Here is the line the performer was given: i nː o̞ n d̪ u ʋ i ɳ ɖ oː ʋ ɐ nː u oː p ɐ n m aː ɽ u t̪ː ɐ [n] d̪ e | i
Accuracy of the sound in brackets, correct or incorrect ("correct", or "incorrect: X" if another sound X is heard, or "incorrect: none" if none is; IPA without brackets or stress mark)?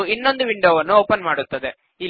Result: incorrect: none